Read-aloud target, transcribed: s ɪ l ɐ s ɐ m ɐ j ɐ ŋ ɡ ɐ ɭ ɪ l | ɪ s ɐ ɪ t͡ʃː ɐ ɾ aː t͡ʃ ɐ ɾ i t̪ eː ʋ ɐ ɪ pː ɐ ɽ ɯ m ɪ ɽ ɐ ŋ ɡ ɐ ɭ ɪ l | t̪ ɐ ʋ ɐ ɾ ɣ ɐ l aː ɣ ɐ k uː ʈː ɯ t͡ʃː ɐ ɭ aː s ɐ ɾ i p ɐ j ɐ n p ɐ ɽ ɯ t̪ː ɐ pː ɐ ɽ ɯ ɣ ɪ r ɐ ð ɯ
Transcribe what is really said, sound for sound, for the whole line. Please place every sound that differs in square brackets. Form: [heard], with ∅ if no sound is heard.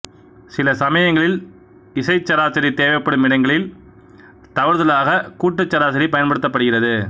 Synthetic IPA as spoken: s ɪ l ɐ s ɐ m ɐ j ɐ ŋ ɡ ɐ ɭ ɪ l | ɪ s ɐ ɪ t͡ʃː ɐ ɾ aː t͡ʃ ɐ ɾ i t̪ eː ʋ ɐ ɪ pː ɐ ɽ ɯ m ɪ ɽ ɐ ŋ ɡ ɐ ɭ ɪ l | t̪ ɐ ʋ ɐ ɾ [ð] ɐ l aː ɣ ɐ k uː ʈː ɯ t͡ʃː ɐ [ɾ] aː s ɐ ɾ i p ɐ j ɐ n p ɐ ɽ ɯ t̪ː ɐ pː ɐ ɽ ɯ ɣ ɪ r ɐ ð ɯ